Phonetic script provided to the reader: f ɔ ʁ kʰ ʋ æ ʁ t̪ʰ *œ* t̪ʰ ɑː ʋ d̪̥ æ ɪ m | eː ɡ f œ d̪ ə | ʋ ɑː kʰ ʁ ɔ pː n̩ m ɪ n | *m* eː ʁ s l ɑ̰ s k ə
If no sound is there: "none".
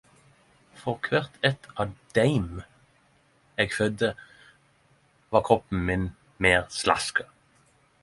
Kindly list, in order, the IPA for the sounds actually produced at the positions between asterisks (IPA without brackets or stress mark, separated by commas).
ɛ, m